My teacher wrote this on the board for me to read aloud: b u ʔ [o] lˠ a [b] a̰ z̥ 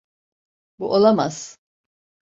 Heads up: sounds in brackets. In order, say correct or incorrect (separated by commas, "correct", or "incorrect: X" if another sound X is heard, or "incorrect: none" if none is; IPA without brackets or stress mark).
correct, incorrect: m